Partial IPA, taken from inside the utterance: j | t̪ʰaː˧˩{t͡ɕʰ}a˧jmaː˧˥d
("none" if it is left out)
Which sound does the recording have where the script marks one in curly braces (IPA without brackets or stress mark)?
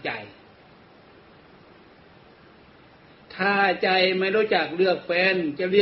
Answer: t͡ɕ